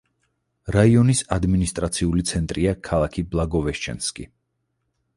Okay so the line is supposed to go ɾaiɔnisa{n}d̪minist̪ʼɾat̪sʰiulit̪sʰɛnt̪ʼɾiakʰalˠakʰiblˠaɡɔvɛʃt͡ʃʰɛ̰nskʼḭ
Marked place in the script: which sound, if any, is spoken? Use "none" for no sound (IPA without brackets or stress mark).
none